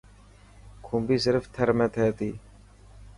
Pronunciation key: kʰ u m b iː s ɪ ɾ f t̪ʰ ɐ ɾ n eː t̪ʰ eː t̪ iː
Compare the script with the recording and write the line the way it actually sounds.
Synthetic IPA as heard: kʰ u m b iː s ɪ ɾ f t̪ʰ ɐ ɾ m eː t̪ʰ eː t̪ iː